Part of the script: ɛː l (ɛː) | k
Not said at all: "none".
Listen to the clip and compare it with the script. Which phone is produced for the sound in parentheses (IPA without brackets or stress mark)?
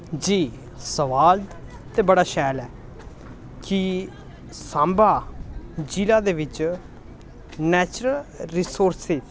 ɛː